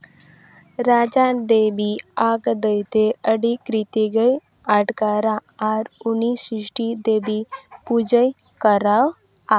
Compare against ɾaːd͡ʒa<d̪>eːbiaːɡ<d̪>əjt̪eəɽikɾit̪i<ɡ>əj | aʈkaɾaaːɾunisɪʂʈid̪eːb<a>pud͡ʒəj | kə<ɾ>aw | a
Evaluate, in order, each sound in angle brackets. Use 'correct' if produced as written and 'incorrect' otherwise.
correct, correct, correct, incorrect: i, correct

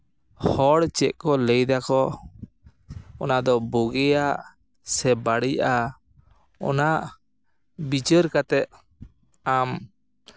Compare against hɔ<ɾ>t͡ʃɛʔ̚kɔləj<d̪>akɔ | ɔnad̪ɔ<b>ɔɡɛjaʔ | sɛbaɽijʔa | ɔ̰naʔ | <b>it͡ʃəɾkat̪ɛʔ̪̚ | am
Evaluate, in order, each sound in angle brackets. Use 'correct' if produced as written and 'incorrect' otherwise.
incorrect: ɽ, correct, correct, correct

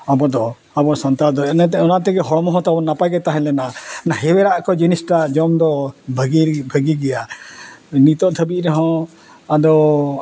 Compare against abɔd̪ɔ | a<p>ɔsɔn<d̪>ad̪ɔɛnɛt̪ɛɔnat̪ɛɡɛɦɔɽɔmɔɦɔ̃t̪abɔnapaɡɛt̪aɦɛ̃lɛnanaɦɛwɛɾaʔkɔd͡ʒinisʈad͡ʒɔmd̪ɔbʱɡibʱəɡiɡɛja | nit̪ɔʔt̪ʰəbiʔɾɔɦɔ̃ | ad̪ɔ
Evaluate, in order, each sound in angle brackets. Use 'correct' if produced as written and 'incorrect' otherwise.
incorrect: b, incorrect: t̪

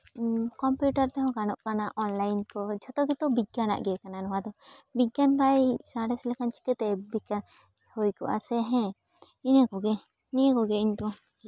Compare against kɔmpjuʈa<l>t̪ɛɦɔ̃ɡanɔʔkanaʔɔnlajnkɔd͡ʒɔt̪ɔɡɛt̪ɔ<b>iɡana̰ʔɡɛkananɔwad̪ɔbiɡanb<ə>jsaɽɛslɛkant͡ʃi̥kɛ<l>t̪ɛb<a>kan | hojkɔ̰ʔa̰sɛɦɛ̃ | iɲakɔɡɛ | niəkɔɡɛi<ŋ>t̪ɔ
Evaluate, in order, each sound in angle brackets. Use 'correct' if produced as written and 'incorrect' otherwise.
incorrect: ɾ, correct, incorrect: a, incorrect: none, incorrect: i, incorrect: ɲ

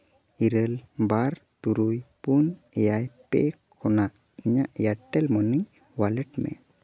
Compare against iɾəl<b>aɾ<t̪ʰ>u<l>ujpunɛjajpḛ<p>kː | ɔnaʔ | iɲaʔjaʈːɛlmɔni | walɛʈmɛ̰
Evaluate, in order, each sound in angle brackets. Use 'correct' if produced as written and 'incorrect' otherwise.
correct, incorrect: t̪, incorrect: ɾ, incorrect: none

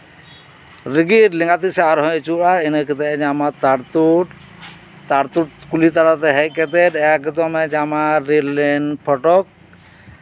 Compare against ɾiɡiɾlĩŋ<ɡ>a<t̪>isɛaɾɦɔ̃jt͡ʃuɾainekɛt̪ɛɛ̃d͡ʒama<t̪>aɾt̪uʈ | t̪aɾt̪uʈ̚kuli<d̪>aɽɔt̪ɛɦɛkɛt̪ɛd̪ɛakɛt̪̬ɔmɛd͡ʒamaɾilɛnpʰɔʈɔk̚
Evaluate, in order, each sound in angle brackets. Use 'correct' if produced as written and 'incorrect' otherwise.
correct, correct, correct, incorrect: t̪

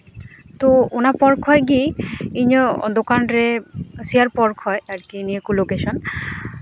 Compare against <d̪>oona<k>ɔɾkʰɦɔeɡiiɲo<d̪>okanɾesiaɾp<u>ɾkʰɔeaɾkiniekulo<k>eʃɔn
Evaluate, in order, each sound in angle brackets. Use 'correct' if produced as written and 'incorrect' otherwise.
incorrect: t̪, incorrect: p, correct, incorrect: ɔ, correct

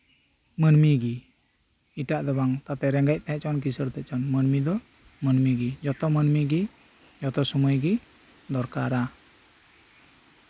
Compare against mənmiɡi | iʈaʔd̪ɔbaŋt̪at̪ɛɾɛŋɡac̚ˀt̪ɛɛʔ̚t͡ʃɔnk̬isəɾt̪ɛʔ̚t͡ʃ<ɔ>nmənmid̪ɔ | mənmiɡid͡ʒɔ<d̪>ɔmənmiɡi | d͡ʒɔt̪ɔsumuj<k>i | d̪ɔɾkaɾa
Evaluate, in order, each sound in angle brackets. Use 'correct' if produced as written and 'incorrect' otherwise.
correct, incorrect: t̪, incorrect: ɡ

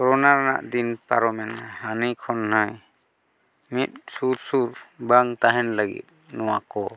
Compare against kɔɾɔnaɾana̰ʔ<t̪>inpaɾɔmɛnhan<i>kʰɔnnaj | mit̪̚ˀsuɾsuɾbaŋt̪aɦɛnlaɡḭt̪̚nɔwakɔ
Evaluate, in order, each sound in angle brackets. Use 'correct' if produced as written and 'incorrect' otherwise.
incorrect: d̪, correct

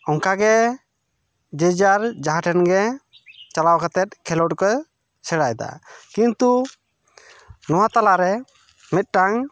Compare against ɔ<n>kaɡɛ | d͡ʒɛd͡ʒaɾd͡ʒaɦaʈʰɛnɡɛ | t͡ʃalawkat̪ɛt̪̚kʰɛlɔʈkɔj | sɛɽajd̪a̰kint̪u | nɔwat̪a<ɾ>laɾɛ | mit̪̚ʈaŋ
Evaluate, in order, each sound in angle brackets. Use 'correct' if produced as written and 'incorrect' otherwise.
incorrect: ŋ, incorrect: none

